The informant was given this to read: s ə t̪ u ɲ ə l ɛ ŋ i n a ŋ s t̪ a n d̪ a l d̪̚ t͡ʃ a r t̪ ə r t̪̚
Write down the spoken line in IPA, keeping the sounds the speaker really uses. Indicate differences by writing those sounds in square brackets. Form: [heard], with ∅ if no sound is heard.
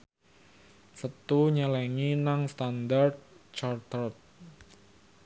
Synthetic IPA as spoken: s ə t̪ u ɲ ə l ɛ ŋ i n a ŋ s t̪ a n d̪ a [r] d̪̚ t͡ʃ a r t̪ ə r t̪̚